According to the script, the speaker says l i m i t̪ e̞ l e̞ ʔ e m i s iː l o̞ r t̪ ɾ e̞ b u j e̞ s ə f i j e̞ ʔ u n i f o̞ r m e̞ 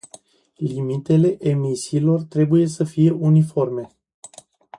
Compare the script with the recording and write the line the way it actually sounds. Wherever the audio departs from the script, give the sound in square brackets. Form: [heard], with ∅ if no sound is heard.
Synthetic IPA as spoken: l i m i t̪ e̞ l e̞ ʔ e m i s iː l o̞ r t̪ ɾ e̞ b u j e̞ s ə f i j e̞ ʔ u n i f o̞ r m e̞

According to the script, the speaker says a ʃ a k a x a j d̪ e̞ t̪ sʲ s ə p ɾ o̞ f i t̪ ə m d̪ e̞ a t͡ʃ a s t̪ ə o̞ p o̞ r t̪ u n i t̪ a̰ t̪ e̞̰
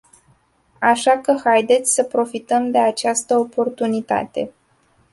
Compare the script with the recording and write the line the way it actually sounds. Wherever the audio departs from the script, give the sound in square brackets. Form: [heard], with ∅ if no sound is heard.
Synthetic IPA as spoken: a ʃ a k [ə] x a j d̪ e̞ t̪ sʲ s ə p ɾ o̞ f i t̪ ə m d̪ e̞ a t͡ʃ a s t̪ ə o̞ p o̞ r t̪ u n i t̪ a̰ t̪ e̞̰

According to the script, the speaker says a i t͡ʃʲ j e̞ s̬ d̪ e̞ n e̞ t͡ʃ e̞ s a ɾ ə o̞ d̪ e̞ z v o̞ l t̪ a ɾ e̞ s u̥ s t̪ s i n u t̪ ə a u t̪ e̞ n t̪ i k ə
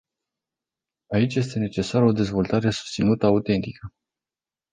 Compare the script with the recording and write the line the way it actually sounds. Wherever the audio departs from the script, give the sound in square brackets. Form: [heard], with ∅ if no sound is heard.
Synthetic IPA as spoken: a i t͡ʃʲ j e̞ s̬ [t̪] e̞ n e̞ t͡ʃ e̞ s a ɾ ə o̞ d̪ e̞ z v o̞ l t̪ a ɾ e̞ s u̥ s t̪ s i n u t̪ ə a u t̪ e̞ n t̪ i k ə

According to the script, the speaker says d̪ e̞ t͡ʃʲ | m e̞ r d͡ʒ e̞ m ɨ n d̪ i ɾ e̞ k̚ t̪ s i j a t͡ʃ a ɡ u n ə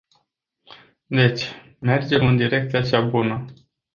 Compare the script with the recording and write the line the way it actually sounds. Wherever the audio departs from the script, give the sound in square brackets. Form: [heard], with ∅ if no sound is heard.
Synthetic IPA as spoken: d̪ e̞ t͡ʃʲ | m e̞ r d͡ʒ e̞ m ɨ n d̪ i ɾ e̞ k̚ t̪ s i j a t͡ʃ a [b] u n ə

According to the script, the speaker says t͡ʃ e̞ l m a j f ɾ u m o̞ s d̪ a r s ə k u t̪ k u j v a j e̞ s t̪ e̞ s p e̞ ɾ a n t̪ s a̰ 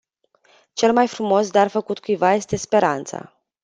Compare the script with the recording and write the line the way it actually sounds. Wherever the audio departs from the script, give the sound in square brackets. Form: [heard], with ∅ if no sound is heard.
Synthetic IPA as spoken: t͡ʃ e̞ l m a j f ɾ u m o̞ s d̪ a r [f] ə k u t̪ k u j v a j e̞ s t̪ e̞ s p e̞ ɾ a n t̪ s a̰

